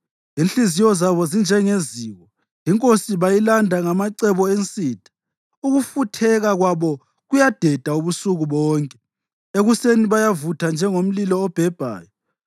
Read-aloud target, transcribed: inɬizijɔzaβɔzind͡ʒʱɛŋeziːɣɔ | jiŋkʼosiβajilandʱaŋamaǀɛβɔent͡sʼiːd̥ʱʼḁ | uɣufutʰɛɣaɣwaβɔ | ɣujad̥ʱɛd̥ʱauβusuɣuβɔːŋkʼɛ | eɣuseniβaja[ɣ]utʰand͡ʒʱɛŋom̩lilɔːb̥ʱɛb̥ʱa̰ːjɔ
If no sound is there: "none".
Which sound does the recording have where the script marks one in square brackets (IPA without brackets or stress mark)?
v